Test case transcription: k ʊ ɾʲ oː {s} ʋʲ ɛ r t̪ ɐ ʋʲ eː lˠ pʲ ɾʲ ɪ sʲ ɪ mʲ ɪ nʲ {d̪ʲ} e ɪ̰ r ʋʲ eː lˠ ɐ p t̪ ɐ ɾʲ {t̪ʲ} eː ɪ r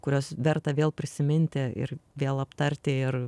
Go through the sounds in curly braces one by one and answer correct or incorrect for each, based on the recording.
correct, incorrect: t̪ʲ, correct

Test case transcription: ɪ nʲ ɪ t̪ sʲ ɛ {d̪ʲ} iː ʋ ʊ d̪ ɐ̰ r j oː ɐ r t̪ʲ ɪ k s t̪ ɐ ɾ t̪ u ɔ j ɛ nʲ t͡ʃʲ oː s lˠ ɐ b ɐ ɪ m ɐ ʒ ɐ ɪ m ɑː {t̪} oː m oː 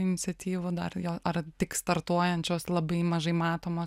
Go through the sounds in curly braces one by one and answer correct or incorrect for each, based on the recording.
incorrect: t̪ʲ, correct

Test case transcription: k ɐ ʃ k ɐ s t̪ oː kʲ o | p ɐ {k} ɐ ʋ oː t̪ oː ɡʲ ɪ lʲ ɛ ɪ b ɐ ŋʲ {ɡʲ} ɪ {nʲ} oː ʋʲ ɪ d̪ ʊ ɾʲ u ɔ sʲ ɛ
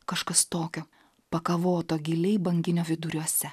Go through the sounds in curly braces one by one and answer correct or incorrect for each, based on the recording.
correct, correct, correct

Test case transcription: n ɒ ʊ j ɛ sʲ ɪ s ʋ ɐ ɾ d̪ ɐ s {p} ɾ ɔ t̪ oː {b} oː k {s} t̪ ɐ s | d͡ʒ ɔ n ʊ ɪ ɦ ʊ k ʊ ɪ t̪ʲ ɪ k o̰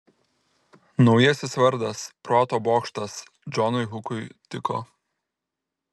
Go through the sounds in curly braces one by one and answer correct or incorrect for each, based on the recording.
correct, correct, incorrect: ʃ

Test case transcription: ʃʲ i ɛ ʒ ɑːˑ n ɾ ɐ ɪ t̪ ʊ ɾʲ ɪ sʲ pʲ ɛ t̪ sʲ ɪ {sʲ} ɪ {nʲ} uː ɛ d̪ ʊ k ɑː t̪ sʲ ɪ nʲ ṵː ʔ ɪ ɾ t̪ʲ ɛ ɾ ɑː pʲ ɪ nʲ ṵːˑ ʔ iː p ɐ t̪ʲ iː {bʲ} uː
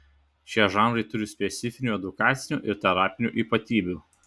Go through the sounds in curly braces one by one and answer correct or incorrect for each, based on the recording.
incorrect: fʲ, correct, correct

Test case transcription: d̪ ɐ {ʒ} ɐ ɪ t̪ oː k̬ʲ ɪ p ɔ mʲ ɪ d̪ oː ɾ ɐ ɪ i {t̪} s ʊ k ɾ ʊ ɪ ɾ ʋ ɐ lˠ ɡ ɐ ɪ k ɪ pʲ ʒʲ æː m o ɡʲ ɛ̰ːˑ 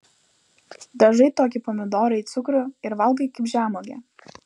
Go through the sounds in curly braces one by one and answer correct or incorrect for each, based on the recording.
correct, correct

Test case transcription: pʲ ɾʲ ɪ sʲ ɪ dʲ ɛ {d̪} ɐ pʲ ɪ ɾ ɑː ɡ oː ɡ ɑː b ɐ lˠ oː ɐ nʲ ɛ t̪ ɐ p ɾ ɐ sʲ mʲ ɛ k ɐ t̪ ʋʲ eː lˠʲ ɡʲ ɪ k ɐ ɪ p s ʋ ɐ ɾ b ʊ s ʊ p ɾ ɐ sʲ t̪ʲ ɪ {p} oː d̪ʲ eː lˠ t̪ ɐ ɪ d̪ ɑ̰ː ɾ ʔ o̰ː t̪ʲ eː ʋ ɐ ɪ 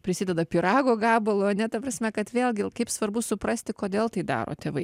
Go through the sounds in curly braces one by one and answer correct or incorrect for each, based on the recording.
correct, incorrect: k

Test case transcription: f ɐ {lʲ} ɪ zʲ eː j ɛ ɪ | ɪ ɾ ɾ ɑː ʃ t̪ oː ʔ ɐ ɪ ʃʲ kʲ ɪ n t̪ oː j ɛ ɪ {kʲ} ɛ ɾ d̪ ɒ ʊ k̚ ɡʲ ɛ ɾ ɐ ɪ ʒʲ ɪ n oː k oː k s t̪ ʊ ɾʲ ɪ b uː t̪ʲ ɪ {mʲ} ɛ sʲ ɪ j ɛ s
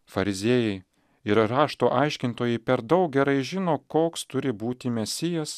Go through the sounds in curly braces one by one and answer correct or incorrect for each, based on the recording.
incorrect: ɾʲ, incorrect: pʲ, correct

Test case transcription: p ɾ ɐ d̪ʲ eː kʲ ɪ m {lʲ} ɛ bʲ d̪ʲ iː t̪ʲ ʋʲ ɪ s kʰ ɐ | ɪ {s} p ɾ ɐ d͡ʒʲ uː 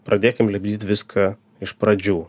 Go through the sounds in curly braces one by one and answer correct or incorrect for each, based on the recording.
correct, incorrect: ʃ

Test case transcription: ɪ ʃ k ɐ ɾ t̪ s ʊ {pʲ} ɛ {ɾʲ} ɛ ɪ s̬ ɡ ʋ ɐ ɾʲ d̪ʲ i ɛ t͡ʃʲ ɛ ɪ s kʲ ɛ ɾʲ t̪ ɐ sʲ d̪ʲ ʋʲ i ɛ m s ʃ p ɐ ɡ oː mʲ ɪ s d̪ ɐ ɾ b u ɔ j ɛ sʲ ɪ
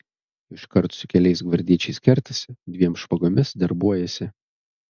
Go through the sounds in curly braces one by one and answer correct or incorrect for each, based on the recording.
incorrect: kʲ, incorrect: lʲ

